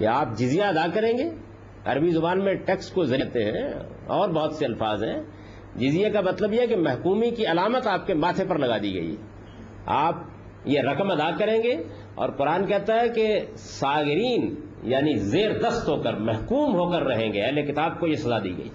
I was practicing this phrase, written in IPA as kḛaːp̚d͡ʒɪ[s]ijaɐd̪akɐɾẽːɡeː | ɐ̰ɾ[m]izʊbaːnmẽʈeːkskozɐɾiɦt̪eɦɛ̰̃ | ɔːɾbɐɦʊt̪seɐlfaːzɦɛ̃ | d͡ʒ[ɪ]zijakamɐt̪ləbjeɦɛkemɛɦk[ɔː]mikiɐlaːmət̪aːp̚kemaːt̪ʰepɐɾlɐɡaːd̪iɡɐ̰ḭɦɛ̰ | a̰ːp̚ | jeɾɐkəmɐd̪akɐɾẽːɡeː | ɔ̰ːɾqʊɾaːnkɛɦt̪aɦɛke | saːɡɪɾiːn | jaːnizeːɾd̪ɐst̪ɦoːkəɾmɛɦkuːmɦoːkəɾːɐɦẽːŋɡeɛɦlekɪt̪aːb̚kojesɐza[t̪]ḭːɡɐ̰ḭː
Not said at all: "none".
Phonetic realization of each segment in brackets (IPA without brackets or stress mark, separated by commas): z, b, ɪ, uː, d̪